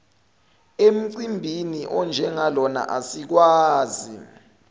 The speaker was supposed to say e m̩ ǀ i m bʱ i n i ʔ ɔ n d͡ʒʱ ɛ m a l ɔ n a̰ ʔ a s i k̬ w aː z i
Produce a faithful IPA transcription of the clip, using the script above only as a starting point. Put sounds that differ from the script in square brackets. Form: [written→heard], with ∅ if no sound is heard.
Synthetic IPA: e m̩ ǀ i m bʱ i n i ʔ ɔ n d͡ʒʱ ɛ [m→ŋ] a l ɔ n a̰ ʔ a s i k̬ w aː z i